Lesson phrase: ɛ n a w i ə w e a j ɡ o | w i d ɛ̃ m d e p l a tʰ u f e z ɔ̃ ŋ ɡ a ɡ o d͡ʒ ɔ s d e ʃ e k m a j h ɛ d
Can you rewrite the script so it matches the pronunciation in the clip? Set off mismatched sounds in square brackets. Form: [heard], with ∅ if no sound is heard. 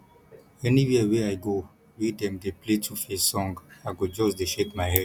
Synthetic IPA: ɛ n [i] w i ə w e a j ɡ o | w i d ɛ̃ m d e p l [e] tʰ u f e [s] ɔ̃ ŋ ɡ a ɡ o d͡ʒ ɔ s d e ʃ e k m a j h ɛ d